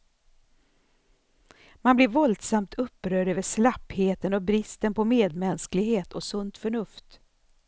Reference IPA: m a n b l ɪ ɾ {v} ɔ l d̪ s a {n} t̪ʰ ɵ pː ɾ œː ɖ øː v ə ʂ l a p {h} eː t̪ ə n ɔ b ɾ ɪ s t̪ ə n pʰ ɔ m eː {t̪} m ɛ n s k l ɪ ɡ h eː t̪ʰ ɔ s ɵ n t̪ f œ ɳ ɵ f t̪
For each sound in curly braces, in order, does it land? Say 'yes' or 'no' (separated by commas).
yes, no, yes, no